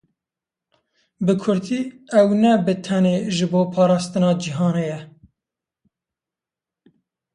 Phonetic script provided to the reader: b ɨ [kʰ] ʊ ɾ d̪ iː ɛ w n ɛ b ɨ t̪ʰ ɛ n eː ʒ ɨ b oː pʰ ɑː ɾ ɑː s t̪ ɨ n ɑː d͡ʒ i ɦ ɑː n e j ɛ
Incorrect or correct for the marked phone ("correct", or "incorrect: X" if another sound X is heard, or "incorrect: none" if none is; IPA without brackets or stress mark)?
correct